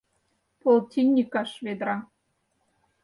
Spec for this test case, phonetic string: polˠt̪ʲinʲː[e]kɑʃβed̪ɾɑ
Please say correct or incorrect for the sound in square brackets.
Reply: incorrect